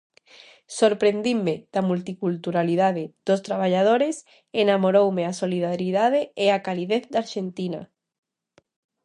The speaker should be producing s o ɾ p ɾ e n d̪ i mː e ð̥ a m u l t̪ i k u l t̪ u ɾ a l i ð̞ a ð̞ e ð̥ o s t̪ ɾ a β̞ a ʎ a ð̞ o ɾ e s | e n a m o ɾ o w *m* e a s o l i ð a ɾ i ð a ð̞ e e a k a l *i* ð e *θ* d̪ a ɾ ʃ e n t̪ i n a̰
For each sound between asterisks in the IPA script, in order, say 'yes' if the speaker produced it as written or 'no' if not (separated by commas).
yes, yes, yes